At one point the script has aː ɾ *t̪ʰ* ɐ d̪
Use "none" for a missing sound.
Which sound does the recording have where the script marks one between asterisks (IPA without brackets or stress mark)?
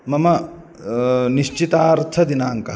t̪ʰ